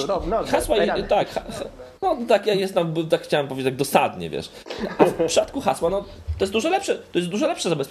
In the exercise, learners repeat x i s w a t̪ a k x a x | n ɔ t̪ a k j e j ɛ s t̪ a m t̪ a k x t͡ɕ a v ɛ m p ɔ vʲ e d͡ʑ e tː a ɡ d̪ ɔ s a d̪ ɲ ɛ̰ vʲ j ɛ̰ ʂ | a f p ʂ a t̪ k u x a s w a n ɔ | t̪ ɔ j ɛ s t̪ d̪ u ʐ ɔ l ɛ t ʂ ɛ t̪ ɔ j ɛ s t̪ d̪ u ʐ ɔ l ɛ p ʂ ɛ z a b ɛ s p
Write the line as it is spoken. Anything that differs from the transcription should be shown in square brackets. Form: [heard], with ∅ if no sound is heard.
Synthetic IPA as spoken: x [a] s w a t̪ a k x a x | n ɔ t̪ a k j [a] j ɛ s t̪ a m t̪ a k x t͡ɕ a [w] ɛ m p ɔ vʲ e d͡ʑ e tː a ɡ d̪ ɔ s a d̪ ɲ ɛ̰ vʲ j ɛ̰ ʂ | a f p ʂ a t̪ k u x a s w a n ɔ | t̪ ɔ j ɛ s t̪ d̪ u ʐ ɔ l ɛ [p] ʂ ɛ t̪ ɔ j ɛ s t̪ d̪ u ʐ ɔ l ɛ p ʂ ɛ z a b ɛ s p